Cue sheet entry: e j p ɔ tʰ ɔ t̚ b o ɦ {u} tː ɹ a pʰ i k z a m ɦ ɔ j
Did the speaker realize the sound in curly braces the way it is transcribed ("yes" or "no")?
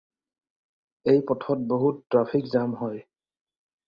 yes